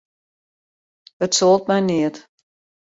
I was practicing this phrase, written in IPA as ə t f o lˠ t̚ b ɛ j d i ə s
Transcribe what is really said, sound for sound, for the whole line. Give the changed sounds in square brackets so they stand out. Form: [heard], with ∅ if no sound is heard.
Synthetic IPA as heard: ə t [s] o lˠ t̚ [m] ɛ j [n] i ə [t]

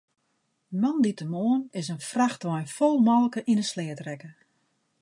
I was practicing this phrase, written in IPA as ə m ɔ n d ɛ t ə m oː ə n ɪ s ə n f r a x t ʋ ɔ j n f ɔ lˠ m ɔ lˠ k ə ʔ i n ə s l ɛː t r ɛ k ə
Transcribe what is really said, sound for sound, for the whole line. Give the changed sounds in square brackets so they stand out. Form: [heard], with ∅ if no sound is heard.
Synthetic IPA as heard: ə m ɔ n d [i] t ə m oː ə n ɪ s ə n f r a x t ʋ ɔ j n f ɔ lˠ m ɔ lˠ k ə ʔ i n ə s l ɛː t r ɛ k ə

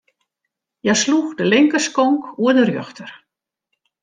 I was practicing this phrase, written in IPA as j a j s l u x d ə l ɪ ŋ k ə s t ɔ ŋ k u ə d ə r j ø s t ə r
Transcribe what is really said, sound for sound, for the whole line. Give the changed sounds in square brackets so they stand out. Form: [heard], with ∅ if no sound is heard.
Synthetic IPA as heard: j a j s l u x d ə l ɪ ŋ k ə s [k] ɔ ŋ k u ə d ə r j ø [x] t ə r

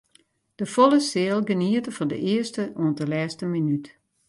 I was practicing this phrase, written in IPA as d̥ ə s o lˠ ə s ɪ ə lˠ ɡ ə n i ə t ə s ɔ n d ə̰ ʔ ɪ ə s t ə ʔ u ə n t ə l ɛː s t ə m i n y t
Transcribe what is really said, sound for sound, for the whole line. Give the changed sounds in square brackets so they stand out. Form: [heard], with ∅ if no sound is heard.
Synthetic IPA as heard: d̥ ə [f] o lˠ ə s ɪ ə lˠ ɡ ə n i ə t ə [f] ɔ n d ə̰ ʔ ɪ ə s t ə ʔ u ə n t ə l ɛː s t ə m i n y t

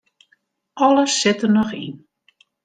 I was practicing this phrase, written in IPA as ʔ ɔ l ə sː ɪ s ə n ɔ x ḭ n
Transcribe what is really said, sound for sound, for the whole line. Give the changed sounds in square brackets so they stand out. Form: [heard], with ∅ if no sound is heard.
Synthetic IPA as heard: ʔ ɔ l ə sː ɪ [t] ə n ɔ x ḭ n

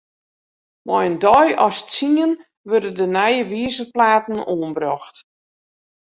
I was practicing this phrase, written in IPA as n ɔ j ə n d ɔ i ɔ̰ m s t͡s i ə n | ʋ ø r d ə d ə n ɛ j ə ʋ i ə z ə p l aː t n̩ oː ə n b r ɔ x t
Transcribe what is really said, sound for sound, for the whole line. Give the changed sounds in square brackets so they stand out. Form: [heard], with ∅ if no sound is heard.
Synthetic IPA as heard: [m] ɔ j ə n d ɔ [j] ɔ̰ [∅] s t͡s i ə n | ʋ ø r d ə d ə n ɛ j ə ʋ i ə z ə p l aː t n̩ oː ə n b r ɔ x t

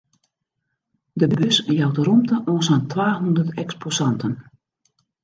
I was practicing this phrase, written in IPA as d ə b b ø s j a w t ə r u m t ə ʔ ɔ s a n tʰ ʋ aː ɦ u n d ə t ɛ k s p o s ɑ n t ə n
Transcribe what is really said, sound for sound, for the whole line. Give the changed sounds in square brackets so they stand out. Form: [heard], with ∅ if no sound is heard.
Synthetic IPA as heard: d ə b b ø s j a w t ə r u m t ə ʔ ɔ s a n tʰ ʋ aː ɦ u n d ə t ɛ k s p o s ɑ n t ə n

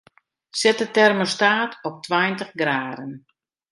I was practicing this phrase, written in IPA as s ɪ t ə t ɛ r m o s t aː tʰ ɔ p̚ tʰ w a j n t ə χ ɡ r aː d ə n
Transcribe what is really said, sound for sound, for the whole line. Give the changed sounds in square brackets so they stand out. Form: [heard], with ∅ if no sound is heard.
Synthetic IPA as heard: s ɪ t ə t ɛ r m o s t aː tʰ ɔ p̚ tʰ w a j n t ə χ ɡ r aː d ə n

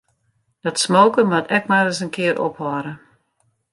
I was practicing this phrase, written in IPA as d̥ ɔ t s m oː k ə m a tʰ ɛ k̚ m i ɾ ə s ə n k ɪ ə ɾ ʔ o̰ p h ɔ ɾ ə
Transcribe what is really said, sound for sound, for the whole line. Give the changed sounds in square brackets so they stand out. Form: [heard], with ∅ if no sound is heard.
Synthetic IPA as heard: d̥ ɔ t s m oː k ə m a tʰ ɛ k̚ m [a] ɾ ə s ə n k ɪ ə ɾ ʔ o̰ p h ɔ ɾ ə

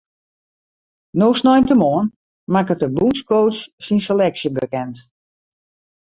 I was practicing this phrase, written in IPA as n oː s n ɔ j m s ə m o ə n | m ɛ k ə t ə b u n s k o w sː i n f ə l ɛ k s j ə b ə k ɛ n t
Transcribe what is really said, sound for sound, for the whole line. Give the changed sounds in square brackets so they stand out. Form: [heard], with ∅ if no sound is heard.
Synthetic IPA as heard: n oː s n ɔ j m [t] ə m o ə n | m [a] k ə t ə b u n s k o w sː i n [s] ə l ɛ k s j ə b ə k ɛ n t

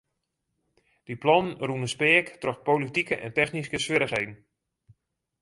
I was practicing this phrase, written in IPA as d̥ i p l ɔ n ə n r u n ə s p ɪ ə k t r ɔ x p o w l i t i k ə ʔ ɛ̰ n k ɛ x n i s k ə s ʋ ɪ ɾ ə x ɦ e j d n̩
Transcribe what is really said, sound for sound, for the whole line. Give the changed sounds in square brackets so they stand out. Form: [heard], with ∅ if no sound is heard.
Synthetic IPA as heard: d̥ i p l ɔ n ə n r u n ə s p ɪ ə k t r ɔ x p o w l i t i k ə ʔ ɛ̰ n [t] ɛ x n i s k ə s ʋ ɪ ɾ ə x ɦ e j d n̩

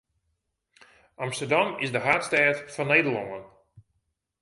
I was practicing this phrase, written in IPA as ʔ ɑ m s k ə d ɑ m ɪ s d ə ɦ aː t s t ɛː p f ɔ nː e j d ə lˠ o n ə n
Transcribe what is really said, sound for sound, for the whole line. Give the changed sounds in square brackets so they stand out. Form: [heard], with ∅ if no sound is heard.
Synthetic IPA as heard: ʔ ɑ m s [t] ə d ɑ m ɪ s d ə ɦ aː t s t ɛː [t] f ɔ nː e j d ə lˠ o [ŋ] ə n

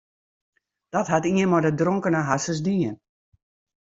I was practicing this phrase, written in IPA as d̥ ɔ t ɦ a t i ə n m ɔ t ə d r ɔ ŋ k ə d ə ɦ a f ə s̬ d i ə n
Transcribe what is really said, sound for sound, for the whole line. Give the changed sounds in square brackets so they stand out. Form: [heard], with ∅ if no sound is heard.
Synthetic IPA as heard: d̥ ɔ t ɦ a t i ə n m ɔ [d] ə d r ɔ ŋ k ə [n] ə ɦ a [s] ə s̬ d i ə n

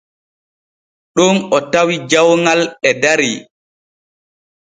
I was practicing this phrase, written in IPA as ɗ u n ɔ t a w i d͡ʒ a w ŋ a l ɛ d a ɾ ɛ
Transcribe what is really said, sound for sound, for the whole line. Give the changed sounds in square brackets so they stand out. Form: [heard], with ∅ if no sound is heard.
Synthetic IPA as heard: ɗ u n ɔ t a w i d͡ʒ a w ŋ a l ɛ d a ɾ [i]

